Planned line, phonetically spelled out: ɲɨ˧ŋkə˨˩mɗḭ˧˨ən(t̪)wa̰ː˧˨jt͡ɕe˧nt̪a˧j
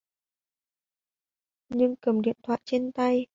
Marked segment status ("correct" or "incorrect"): incorrect